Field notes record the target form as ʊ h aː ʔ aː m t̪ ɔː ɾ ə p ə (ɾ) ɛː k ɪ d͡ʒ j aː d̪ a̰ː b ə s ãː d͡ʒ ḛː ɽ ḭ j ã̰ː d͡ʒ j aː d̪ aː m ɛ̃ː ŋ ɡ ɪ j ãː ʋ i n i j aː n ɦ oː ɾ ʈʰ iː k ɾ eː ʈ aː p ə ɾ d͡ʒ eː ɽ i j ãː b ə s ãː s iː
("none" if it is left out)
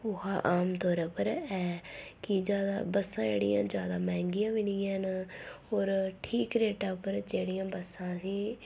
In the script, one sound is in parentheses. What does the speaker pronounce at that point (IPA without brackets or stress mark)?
ɾ